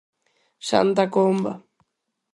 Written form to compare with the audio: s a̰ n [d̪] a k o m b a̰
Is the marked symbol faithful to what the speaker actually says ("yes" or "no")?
no